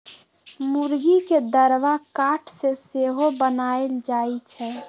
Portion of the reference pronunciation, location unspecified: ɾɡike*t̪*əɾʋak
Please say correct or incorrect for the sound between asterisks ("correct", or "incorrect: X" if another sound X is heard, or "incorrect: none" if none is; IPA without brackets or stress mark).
incorrect: d̪